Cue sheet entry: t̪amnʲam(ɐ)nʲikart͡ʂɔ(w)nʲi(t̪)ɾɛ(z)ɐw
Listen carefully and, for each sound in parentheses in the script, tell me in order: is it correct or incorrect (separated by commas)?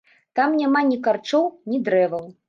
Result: incorrect, correct, incorrect, incorrect